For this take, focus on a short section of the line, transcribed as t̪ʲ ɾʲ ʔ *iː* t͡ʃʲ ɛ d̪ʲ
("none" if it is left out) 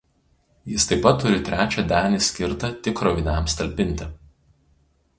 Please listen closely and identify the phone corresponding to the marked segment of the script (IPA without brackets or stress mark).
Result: æː